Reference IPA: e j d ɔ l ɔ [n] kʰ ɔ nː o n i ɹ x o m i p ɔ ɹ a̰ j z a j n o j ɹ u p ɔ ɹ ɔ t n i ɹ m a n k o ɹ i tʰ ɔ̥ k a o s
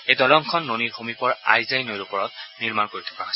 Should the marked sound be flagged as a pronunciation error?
yes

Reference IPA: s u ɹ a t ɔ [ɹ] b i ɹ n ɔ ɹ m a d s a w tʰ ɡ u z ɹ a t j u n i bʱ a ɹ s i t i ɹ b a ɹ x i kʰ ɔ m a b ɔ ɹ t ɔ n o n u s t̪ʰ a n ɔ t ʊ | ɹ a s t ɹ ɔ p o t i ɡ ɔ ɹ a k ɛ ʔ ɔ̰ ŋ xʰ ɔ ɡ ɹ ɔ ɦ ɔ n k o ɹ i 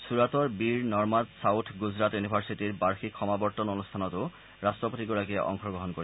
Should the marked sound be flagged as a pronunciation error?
no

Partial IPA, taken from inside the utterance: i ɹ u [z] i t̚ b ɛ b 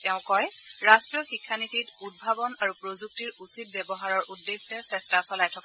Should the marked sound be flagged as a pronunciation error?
yes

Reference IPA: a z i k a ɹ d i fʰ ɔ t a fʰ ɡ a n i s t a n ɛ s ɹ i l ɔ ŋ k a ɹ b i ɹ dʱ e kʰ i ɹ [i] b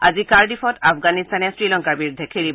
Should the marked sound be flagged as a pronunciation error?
no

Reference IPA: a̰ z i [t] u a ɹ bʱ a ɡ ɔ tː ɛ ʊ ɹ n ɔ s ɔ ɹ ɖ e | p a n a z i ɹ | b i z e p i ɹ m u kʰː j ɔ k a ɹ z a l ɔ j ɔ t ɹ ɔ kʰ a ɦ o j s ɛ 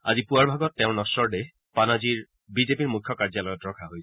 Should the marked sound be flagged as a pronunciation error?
yes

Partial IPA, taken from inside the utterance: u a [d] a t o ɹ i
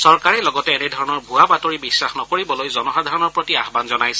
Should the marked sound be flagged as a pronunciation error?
yes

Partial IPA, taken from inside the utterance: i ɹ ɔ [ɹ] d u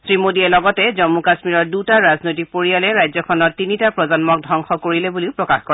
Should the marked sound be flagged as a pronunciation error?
no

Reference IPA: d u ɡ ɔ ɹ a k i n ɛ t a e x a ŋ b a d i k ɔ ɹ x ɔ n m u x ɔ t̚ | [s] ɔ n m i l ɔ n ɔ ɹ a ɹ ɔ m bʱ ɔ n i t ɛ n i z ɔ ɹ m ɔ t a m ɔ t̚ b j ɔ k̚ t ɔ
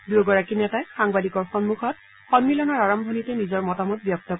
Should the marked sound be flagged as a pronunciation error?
yes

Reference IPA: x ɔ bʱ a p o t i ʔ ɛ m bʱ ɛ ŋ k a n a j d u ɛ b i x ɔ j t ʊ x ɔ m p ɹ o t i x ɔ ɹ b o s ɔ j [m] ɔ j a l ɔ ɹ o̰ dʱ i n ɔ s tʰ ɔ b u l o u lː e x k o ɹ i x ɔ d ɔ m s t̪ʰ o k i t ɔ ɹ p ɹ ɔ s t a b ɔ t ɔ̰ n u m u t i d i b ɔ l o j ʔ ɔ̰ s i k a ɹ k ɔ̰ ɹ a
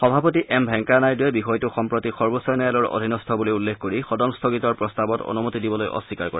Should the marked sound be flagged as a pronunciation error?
yes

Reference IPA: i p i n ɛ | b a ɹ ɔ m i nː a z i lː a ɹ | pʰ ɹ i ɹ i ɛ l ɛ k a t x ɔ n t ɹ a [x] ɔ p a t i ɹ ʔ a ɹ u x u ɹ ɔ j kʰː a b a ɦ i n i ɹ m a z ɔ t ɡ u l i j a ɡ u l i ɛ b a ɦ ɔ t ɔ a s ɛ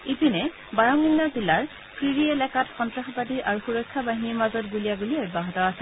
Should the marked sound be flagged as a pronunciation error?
no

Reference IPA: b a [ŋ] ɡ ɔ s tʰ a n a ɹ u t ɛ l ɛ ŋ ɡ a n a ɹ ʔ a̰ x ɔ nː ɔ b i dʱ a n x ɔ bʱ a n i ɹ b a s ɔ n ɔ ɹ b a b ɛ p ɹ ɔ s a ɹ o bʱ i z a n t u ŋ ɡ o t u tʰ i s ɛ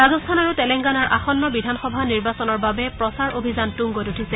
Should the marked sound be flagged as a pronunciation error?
yes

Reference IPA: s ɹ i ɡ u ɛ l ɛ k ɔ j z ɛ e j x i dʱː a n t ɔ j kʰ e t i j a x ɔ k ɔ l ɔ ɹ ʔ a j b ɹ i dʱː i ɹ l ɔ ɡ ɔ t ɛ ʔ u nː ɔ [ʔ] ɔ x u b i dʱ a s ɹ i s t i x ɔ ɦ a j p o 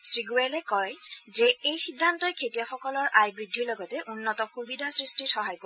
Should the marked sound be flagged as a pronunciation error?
yes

